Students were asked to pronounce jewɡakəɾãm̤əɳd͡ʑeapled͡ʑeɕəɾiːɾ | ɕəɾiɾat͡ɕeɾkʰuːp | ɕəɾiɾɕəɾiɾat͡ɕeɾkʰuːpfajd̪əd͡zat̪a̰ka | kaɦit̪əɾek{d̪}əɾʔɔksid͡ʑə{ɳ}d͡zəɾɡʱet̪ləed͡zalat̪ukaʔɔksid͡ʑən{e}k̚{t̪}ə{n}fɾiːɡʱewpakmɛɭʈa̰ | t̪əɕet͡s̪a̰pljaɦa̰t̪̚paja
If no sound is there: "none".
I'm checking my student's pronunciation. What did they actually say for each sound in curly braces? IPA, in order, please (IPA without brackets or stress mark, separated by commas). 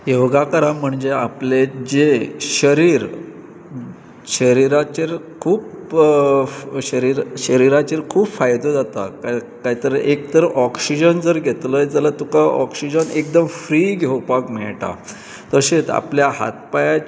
t̪, n, e, d̪, m